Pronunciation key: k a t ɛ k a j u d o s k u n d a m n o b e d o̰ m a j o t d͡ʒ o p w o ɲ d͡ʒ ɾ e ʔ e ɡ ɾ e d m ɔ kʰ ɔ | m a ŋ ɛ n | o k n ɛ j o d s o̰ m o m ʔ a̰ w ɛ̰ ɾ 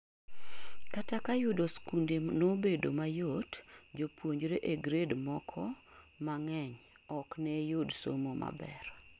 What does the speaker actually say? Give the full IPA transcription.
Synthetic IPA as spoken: k a t a k a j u d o s k u n d e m n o b e d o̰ m a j o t d͡ʒ o p w o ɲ d͡ʒ ɾ e ʔ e ɡ ɾ e d m ɔ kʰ ɔ | m a ŋ ɛ ɲ | ɔ k n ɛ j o d s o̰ m o m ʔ a̰ b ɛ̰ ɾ